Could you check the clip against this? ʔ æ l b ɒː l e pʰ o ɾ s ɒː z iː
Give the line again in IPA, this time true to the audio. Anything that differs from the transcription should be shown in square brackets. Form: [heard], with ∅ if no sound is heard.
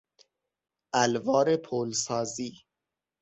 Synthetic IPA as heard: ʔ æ l [v] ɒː [ɾ] e pʰ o [l] s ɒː z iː